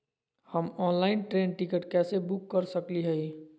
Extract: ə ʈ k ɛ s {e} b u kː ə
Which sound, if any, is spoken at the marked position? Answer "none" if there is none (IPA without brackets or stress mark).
e